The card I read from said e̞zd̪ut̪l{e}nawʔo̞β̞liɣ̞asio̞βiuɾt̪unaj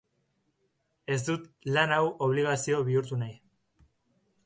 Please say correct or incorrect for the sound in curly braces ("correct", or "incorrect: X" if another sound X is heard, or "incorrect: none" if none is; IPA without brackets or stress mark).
incorrect: a